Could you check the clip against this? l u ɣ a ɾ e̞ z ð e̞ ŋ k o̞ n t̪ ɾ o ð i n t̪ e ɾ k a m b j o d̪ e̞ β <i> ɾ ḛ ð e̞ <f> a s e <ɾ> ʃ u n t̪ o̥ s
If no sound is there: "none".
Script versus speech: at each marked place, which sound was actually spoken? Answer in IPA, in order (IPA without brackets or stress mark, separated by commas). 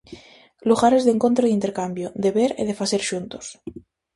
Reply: e, f, ɾ